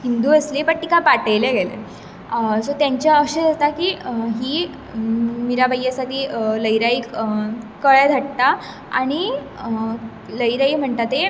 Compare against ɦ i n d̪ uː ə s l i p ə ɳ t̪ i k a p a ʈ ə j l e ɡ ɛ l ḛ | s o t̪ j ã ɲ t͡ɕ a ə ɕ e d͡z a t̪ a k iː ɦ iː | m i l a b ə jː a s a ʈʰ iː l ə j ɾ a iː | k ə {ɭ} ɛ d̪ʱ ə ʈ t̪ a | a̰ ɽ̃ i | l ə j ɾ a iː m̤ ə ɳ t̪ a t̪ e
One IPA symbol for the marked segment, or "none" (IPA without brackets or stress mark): ɭ